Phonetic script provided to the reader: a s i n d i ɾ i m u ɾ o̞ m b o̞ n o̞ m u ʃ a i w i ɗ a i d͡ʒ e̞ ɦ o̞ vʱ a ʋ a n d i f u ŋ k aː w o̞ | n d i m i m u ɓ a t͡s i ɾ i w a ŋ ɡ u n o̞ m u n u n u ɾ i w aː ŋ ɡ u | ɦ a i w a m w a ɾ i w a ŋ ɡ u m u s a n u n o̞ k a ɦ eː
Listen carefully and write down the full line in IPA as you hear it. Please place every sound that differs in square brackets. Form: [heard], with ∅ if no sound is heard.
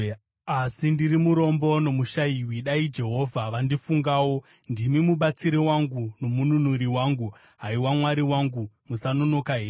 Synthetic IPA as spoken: a s i n d i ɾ i m u ɾ o̞ m b o̞ n o̞ m u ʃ a i w i ɗ a i d͡ʒ e̞ ɦ o̞ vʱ a ʋ a n d i f u ŋ [ɡ] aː w o̞ | n d i m i m u ɓ a t͡s i ɾ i w a ŋ ɡ u n o̞ m u n u n u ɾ i w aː ŋ ɡ u | ɦ a i w a m w a ɾ i w a ŋ ɡ u m u s a n [o] n o̞ k a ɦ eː